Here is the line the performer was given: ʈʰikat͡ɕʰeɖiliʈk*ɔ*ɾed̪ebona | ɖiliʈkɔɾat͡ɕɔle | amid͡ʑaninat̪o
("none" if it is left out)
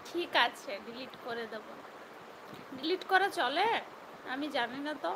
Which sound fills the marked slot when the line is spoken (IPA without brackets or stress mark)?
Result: o